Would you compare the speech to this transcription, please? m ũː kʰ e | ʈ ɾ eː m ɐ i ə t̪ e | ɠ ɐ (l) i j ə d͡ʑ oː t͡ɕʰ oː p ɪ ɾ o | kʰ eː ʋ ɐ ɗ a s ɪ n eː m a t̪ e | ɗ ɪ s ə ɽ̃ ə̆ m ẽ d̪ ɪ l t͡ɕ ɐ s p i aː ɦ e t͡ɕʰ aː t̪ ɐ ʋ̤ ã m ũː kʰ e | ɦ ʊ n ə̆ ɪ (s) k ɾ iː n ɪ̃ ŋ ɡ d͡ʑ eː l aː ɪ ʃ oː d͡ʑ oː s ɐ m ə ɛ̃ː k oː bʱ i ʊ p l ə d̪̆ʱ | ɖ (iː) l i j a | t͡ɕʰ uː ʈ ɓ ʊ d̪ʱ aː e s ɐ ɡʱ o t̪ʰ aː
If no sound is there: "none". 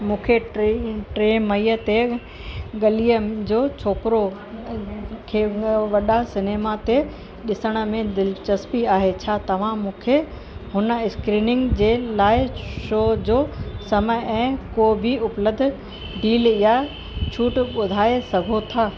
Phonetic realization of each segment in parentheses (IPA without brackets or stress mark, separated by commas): l, s, iː